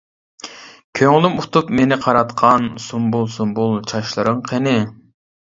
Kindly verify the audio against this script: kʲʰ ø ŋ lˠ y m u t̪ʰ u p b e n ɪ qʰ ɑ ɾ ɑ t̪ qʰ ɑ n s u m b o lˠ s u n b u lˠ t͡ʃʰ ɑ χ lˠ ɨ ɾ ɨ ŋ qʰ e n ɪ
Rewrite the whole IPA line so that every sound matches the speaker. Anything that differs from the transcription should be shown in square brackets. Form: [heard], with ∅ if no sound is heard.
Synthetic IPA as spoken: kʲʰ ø ŋ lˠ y m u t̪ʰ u p [m] e n ɪ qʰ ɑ ɾ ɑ t̪ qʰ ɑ n s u m b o lˠ s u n b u lˠ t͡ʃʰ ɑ [ʃ] lˠ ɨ ɾ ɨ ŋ qʰ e n ɪ